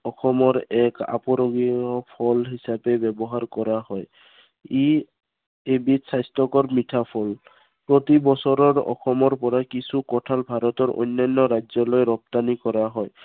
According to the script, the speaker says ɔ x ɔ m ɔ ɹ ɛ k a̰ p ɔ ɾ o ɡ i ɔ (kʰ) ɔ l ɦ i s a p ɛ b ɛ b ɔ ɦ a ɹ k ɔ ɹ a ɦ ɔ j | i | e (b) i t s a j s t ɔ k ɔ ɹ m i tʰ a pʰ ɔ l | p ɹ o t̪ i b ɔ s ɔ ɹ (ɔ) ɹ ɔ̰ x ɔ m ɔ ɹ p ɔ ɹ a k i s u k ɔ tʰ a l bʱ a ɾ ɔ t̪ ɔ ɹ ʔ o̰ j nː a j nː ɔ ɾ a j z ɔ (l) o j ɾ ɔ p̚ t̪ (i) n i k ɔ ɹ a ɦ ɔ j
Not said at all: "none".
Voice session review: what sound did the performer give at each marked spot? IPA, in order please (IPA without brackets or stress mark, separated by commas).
pʰ, b, ɔ, l, a